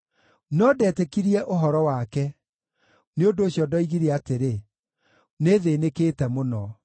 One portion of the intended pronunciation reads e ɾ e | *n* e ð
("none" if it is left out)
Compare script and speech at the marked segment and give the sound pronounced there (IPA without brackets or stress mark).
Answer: n